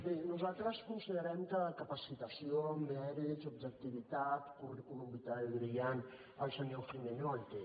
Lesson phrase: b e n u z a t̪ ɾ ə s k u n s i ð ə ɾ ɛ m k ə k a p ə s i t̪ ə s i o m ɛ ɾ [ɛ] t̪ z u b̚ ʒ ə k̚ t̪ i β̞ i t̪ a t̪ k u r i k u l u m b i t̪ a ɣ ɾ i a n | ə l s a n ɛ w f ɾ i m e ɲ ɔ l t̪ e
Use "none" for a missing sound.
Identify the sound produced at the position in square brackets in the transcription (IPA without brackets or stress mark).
i